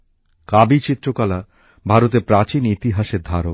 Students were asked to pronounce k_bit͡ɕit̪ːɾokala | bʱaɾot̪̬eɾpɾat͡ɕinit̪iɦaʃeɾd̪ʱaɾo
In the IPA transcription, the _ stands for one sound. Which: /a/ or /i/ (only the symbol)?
a